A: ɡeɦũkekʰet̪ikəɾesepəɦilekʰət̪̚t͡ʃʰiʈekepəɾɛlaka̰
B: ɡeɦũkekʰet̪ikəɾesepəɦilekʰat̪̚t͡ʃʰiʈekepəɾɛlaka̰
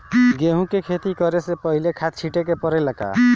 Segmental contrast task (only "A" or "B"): B